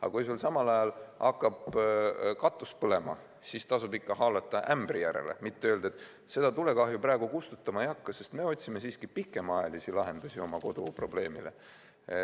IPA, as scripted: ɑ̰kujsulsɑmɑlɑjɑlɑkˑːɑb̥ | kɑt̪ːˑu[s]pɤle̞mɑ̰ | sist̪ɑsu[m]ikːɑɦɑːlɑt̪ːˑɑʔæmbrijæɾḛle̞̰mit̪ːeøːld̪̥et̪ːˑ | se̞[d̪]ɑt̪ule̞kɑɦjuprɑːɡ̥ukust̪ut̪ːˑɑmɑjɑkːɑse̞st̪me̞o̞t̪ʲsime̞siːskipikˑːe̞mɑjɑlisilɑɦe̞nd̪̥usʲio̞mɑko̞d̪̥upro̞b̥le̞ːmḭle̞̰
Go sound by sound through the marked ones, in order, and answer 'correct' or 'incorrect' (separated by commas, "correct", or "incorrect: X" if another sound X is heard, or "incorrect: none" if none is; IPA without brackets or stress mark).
correct, incorrect: b, correct